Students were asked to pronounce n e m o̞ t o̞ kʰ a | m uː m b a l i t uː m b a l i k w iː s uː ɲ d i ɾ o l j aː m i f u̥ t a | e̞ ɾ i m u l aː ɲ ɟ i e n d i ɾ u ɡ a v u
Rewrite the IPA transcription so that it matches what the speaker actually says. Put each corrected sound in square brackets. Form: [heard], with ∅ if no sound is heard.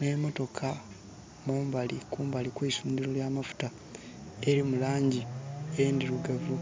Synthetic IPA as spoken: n e m o̞ t o̞ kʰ a | m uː m b a l i [k] uː m b a l i k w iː s uː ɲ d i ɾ o l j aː m [a] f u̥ t a | e̞ ɾ i m u l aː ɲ ɟ i e n d i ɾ u ɡ a v u